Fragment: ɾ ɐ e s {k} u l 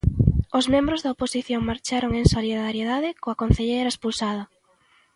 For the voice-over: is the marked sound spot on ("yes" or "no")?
no